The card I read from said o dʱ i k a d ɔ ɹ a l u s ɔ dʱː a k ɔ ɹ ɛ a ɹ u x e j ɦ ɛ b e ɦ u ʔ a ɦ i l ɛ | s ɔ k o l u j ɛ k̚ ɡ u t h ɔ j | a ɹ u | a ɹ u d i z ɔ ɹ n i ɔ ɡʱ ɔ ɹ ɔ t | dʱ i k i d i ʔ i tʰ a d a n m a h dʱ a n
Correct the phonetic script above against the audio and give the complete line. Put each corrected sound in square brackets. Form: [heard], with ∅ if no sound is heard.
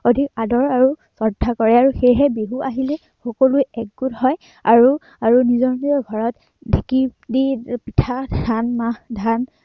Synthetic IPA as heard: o dʱ i k a d ɔ ɹ a [ɹ] u s ɔ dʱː a k ɔ ɹ ɛ a ɹ u x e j ɦ ɛ b e ɦ u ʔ a ɦ i l ɛ | [x] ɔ k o l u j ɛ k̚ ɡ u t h ɔ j | a ɹ u | a ɹ u [n] i z ɔ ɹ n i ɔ ɡʱ ɔ ɹ ɔ t | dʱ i k i d i [p] i tʰ a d a n m a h dʱ a n